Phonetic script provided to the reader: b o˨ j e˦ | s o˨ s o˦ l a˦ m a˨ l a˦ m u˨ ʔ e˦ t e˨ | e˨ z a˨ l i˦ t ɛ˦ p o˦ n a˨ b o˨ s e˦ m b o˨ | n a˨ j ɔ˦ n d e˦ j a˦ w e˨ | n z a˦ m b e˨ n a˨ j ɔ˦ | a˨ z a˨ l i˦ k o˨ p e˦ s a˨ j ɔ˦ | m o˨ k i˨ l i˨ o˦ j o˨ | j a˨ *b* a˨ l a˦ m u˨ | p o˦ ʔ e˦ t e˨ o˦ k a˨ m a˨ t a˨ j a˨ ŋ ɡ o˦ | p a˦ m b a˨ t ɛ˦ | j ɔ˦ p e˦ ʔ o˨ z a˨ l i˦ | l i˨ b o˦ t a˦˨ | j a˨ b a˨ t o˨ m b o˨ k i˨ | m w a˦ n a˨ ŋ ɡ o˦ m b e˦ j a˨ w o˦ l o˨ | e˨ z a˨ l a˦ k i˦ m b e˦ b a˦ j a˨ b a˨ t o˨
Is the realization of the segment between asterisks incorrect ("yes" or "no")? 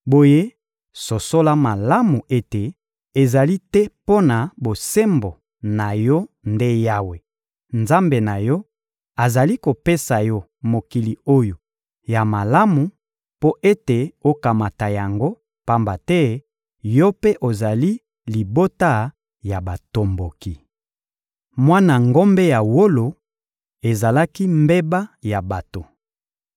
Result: yes